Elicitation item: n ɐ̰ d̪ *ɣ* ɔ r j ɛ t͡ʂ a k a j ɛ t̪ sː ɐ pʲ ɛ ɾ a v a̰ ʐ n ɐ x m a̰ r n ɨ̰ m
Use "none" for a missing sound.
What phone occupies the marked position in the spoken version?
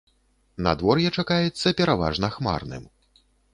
v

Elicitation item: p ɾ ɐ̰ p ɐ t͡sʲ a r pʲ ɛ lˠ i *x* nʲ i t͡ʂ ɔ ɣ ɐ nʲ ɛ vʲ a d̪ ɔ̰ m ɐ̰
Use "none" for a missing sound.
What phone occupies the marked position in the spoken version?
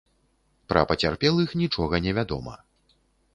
x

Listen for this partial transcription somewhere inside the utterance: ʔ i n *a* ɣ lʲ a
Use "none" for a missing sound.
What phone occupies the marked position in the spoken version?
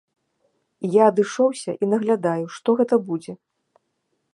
ɐ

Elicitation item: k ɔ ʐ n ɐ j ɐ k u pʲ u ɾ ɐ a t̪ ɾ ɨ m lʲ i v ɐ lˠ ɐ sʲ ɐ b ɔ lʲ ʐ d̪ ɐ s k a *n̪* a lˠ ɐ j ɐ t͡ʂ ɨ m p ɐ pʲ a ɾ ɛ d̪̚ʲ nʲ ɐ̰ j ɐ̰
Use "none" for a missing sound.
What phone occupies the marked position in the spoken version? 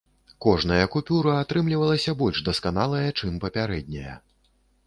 n̪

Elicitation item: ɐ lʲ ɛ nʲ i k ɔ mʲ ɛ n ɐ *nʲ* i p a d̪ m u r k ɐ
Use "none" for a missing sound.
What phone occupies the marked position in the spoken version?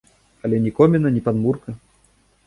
nʲ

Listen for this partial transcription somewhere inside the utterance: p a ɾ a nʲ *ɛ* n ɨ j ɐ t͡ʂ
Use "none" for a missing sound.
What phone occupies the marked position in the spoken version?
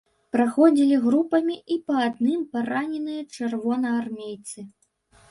ɛ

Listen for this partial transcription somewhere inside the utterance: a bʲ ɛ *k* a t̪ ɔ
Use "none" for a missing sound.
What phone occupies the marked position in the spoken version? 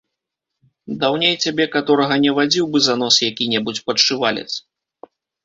k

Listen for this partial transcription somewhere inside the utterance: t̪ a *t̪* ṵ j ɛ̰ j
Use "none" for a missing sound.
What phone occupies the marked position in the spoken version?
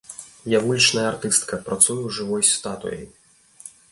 t̪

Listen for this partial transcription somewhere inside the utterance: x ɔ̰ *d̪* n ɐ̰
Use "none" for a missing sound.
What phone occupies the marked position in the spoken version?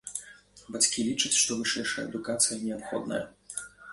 d̪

